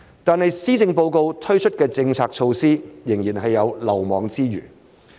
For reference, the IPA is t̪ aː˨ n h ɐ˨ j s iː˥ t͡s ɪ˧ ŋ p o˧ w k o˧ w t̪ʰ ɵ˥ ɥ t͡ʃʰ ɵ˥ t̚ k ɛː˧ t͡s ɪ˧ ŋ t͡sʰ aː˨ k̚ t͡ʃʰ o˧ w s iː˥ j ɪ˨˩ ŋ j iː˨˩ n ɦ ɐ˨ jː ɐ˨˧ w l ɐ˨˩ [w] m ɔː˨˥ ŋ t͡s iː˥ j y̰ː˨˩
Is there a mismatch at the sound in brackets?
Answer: no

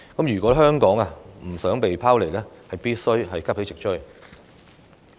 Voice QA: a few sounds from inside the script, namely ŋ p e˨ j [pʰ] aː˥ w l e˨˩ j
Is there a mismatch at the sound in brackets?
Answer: no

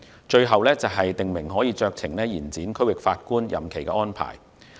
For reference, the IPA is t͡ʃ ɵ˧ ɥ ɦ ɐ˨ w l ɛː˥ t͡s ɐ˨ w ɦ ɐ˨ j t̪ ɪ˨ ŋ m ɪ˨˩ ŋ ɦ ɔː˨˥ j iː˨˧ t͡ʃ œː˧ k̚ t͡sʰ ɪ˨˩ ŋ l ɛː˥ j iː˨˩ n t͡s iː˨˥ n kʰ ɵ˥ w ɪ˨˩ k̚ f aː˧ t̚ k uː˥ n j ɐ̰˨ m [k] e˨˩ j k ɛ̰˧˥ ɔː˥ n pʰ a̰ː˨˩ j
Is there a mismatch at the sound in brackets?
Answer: yes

